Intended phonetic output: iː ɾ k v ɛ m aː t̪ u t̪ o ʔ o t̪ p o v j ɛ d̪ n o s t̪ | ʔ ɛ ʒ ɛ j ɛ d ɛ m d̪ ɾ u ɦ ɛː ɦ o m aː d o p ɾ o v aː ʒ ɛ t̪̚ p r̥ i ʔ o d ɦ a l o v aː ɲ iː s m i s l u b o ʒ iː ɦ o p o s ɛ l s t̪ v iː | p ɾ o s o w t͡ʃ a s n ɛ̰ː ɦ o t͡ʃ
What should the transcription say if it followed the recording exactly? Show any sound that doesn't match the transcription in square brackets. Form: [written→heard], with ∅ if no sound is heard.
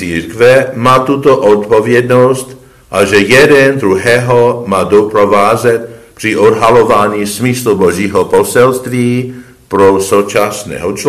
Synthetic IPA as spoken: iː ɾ k v ɛ m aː t̪ u t̪ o ʔ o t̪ p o v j ɛ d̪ n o s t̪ | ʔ [ɛ→a] ʒ ɛ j ɛ d ɛ [m→n] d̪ ɾ u ɦ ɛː ɦ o m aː d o p ɾ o v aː [ʒ→z] ɛ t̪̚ p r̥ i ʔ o d ɦ a l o v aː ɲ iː s m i s l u b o ʒ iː ɦ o p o s ɛ l s t̪ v iː | p ɾ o s o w t͡ʃ a s n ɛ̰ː ɦ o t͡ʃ